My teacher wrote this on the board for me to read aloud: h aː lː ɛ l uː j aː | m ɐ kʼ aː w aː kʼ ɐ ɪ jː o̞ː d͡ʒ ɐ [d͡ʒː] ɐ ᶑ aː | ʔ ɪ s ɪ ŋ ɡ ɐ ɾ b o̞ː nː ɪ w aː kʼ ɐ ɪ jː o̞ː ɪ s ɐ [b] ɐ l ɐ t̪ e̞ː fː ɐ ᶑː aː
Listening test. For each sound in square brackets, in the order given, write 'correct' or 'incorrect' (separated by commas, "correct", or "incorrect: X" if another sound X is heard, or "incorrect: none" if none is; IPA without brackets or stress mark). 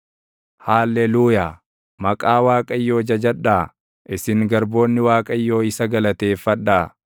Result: incorrect: d͡ʒ, incorrect: ɡ